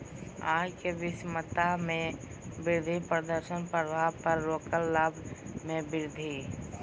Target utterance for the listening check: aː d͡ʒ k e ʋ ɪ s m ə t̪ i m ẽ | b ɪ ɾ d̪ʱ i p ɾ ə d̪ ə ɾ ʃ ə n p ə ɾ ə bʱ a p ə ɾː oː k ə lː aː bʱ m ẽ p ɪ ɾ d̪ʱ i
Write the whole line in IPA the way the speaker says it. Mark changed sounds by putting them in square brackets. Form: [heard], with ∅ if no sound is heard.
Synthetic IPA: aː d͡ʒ k e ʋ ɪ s m ə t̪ [a] m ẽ | b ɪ ɾ d̪ʱ i p ɾ ə d̪ ə ɾ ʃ ə n p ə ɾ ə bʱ a p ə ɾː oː k ə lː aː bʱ m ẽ [b] ɪ ɾ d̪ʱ i